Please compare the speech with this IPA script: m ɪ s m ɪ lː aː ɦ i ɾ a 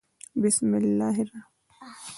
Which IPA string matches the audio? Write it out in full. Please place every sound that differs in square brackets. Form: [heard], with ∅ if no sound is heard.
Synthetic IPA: [b] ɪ s m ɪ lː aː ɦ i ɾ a